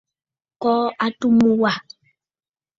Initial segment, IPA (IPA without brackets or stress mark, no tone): k